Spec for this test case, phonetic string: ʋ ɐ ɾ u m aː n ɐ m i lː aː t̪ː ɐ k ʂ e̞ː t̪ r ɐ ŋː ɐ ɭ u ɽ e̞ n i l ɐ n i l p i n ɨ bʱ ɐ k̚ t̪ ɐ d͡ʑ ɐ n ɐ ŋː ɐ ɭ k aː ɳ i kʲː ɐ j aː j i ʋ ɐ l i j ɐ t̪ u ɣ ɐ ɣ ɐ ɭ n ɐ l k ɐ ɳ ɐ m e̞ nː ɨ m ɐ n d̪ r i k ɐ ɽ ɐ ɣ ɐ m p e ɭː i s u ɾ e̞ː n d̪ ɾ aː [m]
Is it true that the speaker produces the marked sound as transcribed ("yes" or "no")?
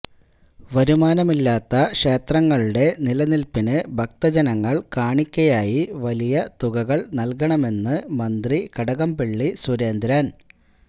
no